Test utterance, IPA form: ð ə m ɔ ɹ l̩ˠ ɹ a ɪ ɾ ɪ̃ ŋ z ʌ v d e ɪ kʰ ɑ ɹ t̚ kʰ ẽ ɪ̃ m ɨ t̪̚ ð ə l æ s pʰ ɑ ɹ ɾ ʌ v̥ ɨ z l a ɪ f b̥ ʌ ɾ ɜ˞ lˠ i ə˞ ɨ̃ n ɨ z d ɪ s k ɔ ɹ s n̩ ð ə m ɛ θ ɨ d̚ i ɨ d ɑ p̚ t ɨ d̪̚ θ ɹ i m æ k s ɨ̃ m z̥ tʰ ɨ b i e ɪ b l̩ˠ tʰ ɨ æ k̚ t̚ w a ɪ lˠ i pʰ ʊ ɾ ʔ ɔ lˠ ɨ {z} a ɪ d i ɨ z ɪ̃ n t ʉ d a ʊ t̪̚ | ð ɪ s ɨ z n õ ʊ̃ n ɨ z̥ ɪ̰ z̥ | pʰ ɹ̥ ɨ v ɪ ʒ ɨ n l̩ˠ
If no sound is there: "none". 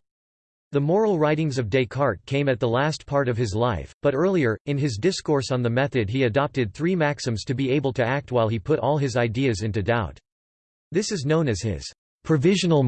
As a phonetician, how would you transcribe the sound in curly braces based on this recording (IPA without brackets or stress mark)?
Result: z